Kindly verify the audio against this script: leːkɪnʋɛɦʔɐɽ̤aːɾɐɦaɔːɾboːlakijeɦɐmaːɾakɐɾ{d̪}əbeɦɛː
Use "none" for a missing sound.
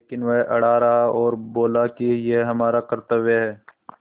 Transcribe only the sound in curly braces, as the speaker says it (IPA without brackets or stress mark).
t̪